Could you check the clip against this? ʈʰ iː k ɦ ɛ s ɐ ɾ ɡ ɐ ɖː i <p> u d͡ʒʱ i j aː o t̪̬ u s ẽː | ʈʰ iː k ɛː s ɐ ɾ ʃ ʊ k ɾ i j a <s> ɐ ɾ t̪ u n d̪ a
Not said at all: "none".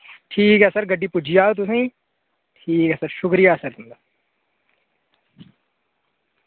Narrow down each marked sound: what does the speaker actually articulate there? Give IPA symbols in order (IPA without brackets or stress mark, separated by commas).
p, s